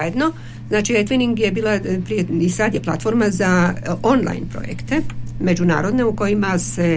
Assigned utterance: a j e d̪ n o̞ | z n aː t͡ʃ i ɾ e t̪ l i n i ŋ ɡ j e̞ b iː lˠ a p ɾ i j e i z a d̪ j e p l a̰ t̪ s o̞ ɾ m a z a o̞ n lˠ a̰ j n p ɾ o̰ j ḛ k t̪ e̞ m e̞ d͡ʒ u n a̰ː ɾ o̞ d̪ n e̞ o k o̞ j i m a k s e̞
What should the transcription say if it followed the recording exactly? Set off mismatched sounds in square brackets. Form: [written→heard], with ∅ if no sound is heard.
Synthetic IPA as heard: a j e d̪ n o̞ | z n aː t͡ʃ i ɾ e t̪ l i n i ŋ ɡ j e̞ b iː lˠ a p ɾ i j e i [z→s] a d̪ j e p l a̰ t̪ [s→f] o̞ ɾ m a z a o̞ n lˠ a̰ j n p ɾ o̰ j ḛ k t̪ e̞ m e̞ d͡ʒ u n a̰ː ɾ o̞ d̪ n e̞ [o→u] k o̞ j i m a [k→∅] s e̞